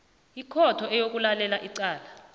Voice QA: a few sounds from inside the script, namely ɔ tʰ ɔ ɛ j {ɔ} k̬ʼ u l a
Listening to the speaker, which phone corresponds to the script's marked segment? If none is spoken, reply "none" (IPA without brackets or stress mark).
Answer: o